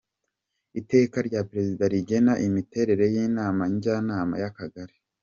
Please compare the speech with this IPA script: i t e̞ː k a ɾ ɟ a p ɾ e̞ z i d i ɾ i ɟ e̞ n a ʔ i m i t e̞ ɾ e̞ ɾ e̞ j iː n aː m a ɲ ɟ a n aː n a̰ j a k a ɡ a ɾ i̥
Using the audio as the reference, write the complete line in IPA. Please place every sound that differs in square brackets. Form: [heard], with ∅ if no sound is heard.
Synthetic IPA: i t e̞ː k a ɾ ɟ a p ɾ e̞ z i d [a] ɾ i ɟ e̞ n a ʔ i m i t e̞ ɾ e̞ ɾ e̞ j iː n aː m a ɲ ɟ a n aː [m] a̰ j a k a ɡ a ɾ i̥